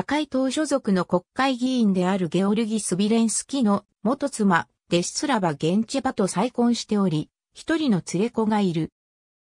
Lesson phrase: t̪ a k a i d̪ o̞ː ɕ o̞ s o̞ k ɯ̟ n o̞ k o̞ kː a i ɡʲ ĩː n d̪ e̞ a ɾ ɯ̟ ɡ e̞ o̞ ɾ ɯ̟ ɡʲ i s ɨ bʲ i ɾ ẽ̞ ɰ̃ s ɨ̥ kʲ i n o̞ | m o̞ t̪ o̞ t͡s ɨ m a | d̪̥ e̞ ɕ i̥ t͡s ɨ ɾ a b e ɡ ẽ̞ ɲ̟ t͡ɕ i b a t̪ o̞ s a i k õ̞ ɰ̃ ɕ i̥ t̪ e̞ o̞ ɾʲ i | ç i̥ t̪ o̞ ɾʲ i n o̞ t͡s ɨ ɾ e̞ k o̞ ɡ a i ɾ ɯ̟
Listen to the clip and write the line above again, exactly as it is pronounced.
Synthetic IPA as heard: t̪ a k a i t̪ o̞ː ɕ o̞ z o̞ k ɯ̟ n o̞ k o̞ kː a i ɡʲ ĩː n d̪ e̞ a ɾ ɯ̟ ɡ e̞ o̞ ɾ ɯ̟ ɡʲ i s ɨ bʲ i ɾ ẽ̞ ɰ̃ s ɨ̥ kʲ i n o̞ | m o̞ t̪ o̞ t͡s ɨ m a | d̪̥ e̞ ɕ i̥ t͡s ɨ ɾ a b a ɡ ẽ̞ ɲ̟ t͡ɕ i b a t̪ o̞ s a i k õ̞ ɰ̃ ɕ i̥ t̪ e̞ o̞ ɾʲ i | ç i̥ t̪ o̞ ɾʲ i n o̞ t͡s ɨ ɾ e̞ k o̞ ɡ a i ɾ ɯ̟

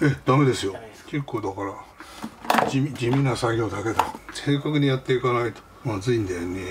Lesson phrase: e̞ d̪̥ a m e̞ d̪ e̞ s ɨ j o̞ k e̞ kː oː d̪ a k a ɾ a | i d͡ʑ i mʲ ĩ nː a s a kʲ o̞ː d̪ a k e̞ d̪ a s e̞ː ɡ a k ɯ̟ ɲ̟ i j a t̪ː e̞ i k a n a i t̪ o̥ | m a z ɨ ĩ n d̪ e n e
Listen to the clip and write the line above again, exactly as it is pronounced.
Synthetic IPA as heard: e̞ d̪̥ a m e̞ d̪ e̞ s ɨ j o̞ k e̞ kː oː d̪ a k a ɾ a | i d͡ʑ i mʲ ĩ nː a s a ɡʲ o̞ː d̪ a k e̞ d̪ a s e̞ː k a k ɯ̟ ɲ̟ i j a t̪ː e̞ i k a n a i t̪ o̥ | m a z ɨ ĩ n d̪ e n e

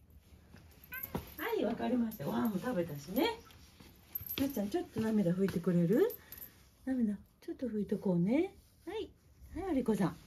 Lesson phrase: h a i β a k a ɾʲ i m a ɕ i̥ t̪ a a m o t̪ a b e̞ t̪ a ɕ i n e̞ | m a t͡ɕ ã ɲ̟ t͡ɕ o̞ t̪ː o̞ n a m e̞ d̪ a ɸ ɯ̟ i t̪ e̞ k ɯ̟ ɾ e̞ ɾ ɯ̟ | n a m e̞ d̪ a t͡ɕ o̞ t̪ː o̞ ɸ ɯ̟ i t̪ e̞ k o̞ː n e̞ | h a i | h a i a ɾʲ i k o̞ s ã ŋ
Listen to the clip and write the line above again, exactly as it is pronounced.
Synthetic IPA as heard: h a i β a k a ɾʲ i m a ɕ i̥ t̪ a a m o t̪ a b e̞ t̪ a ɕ i n e̞ | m a t͡ɕ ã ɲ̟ t͡ɕ o̞ t̪ː o̞ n a m e̞ d̪ a ɸ ɯ̟ i t̪ e̞ k ɯ̟ ɾ e̞ ɾ ɯ̟ | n a m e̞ d̪ a t͡ɕ o̞ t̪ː o̞ ɸ ɯ̟ i t̪ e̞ k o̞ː n e̞ | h a i | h a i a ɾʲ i k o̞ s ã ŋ

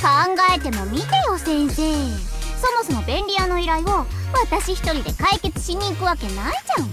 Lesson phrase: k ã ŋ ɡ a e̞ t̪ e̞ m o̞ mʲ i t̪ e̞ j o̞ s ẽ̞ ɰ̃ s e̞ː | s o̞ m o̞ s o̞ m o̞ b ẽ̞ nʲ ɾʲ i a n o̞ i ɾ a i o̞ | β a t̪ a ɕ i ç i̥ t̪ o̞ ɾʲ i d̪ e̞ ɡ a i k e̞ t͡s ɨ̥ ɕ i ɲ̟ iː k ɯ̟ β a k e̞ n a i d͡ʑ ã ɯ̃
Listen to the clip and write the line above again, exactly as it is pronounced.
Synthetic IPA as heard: k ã ŋ ɡ a e̞ t̪ e̞ m o̞ mʲ i t̪ e̞ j o̞ s ẽ̞ ɰ̃ s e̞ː | s o̞ m o̞ s o̞ m o̞ b ẽ̞ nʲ ɾʲ i a n o̞ i ɾ a i o̞ | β a t̪ a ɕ i ç i̥ t̪ o̞ ɾʲ i d̪ e̞ k a i k e̞ t͡s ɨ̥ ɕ i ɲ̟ iː k ɯ̟ β a k e̞ n a i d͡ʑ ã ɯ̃

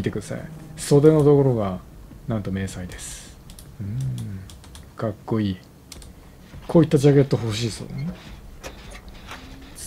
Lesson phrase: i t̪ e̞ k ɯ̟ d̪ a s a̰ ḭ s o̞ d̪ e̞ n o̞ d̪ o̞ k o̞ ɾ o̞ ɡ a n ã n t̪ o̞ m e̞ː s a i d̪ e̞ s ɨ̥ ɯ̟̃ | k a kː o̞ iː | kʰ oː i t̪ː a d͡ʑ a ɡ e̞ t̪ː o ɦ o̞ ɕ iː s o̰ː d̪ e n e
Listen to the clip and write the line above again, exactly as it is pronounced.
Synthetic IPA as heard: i t̪ e̞ k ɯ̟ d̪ a s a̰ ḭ s o̞ d̪ e̞ n o̞ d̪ o̞ k o̞ ɾ o̞ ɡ a n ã n t̪ o̞ m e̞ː s a i d̪ e̞ s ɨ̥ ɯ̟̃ | k a kː o̞ iː | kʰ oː i t̪ː a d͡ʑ a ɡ e̞ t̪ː o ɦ o̞ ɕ iː s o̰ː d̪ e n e

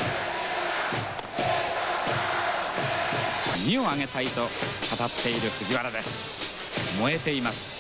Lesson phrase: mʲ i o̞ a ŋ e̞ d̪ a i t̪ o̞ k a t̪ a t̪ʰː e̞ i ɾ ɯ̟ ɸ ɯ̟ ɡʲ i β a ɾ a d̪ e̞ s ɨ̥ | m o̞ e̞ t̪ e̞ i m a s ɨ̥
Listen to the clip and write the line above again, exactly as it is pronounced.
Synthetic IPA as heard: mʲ i o̞ a ŋ e̞ t̪ a i t̪ o̞ k a t̪ a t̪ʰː e̞ i ɾ ɯ̟ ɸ ɯ̟ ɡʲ i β a ɾ a d̪ e̞ s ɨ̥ | m o̞ e̞ t̪ e̞ i m a s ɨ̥

